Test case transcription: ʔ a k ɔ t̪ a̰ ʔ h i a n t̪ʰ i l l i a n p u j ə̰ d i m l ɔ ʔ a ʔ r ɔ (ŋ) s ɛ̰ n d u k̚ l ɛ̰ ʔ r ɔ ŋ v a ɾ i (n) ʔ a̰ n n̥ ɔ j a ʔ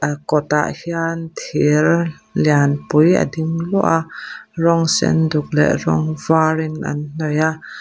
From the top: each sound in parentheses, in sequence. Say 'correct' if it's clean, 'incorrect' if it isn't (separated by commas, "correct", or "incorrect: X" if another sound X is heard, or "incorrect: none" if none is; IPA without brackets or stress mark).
correct, correct